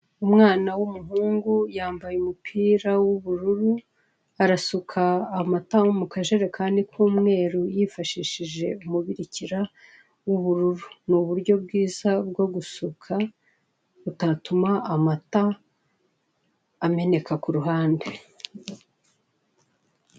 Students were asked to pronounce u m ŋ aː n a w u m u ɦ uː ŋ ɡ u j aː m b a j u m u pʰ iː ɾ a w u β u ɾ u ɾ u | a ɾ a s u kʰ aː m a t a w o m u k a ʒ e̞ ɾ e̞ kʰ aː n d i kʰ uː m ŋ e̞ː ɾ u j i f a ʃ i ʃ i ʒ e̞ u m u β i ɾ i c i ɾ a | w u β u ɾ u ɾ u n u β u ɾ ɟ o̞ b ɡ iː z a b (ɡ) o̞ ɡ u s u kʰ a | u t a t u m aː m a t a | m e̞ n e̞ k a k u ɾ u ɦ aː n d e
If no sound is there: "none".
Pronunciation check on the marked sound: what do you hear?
ɡ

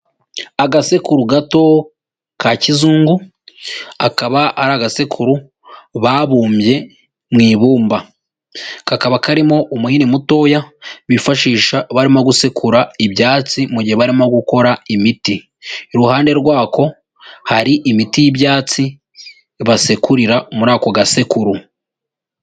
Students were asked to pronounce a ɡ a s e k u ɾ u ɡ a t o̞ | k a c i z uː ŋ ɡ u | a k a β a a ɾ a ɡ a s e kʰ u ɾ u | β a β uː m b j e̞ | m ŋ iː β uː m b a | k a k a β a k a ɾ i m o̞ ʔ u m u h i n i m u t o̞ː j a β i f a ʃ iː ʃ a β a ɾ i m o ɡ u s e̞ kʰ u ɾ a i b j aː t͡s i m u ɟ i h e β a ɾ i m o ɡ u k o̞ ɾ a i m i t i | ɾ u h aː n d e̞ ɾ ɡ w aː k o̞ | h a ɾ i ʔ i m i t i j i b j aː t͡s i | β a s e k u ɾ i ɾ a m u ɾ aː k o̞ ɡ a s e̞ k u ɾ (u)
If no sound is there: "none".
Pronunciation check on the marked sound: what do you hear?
u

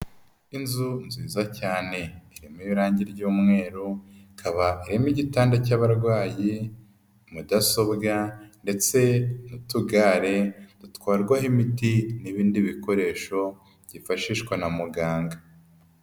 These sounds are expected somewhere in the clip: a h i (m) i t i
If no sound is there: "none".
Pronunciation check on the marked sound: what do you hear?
m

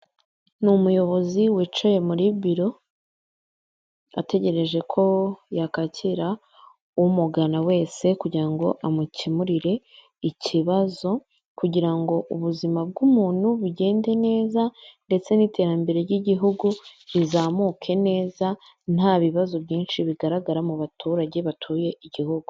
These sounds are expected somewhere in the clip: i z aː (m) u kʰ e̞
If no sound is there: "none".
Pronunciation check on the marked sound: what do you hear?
m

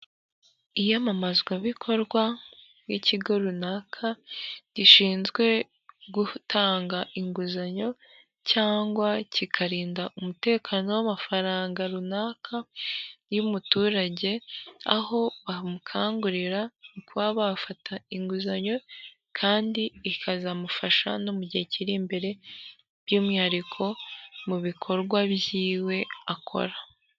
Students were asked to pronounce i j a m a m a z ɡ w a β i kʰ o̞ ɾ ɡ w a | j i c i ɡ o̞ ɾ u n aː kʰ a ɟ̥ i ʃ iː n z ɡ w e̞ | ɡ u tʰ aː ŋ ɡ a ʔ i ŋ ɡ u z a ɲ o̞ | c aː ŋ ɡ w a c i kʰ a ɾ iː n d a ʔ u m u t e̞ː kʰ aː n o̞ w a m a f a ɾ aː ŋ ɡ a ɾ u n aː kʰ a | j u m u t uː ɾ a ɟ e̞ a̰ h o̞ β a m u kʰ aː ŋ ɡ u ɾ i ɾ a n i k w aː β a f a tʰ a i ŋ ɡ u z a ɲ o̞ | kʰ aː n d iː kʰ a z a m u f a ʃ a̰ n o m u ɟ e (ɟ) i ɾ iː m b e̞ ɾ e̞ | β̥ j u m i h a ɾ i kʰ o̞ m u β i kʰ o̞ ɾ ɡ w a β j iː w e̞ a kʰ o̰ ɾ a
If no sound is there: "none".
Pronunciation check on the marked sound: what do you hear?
c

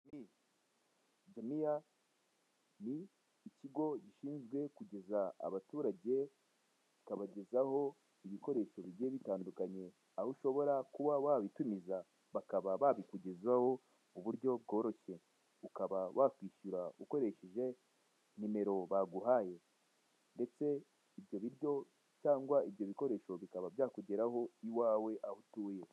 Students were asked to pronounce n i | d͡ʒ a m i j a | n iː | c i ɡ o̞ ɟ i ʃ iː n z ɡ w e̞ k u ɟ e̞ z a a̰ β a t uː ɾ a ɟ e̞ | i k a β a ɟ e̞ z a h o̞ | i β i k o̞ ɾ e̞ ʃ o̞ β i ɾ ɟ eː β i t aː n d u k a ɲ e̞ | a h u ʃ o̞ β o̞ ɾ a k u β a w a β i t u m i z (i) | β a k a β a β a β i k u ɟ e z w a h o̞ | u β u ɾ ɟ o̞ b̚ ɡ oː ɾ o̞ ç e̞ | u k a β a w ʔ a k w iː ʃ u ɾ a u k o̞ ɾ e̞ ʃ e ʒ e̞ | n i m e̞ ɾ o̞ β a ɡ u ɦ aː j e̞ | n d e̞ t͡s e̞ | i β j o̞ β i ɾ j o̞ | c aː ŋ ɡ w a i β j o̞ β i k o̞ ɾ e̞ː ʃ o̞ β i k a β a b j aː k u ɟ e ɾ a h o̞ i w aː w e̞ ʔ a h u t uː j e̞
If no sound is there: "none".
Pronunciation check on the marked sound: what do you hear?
a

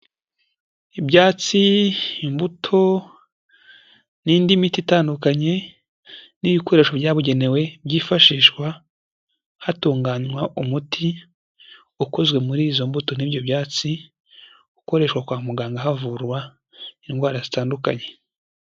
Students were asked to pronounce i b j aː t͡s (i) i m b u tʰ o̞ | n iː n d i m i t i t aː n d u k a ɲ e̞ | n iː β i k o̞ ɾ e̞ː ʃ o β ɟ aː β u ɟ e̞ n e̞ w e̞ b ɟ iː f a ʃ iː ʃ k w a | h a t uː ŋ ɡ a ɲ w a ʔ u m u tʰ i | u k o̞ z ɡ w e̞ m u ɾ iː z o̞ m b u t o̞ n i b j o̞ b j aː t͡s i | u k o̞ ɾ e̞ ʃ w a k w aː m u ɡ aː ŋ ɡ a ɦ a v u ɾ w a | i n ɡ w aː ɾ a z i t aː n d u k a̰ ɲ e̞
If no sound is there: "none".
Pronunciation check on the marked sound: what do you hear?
i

